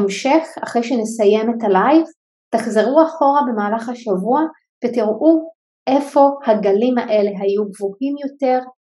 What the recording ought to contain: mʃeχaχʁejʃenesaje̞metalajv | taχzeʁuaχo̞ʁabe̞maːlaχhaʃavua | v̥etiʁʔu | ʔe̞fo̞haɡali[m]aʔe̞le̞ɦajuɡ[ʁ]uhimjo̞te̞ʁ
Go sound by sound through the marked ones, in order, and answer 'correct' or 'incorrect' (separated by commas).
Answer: correct, incorrect